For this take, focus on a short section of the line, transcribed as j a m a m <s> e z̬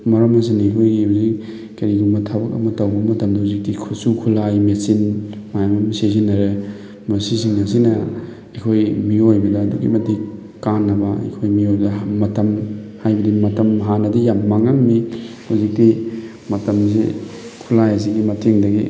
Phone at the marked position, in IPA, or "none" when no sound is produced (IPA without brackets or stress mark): s